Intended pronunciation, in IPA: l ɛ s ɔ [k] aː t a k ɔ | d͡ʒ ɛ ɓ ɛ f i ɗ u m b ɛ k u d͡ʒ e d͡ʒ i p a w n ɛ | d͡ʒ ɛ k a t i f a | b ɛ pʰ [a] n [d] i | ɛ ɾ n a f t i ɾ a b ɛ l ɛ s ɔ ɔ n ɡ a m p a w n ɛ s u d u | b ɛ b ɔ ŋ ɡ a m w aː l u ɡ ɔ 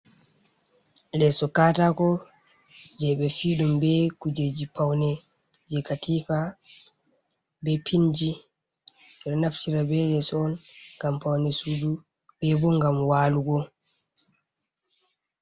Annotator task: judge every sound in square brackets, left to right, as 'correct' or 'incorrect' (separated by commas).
correct, incorrect, incorrect